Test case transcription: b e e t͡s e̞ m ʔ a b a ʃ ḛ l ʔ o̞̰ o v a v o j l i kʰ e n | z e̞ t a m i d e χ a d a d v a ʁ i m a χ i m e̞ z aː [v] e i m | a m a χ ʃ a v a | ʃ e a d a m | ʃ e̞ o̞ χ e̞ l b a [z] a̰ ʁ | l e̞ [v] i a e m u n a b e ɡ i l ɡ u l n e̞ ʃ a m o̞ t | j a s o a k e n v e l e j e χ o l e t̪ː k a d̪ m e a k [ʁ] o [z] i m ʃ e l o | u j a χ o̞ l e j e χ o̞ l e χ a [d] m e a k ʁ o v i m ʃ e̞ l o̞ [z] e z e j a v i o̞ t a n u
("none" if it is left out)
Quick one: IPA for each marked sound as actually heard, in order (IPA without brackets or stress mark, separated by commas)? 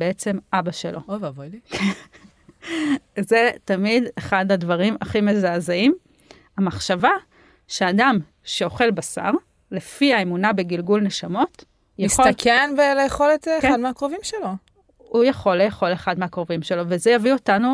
z, s, f, ʁ, v, d, v